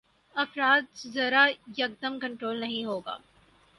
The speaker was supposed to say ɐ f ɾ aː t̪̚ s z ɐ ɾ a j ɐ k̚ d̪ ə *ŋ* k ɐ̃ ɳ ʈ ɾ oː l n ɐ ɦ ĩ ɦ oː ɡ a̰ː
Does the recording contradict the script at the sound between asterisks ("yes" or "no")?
yes